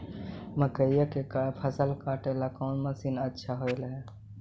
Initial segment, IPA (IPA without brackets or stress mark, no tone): m